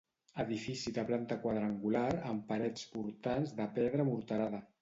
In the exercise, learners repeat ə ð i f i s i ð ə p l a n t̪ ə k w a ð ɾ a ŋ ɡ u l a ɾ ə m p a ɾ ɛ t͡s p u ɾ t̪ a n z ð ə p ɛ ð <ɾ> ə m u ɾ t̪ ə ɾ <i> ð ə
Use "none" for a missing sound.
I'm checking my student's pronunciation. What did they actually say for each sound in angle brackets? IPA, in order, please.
ɾ, a

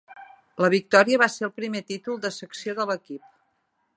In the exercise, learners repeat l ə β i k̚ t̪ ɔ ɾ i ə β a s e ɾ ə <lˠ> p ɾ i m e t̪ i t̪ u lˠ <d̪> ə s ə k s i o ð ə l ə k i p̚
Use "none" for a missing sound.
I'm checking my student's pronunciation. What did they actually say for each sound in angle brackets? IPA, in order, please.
lˠ, d̪

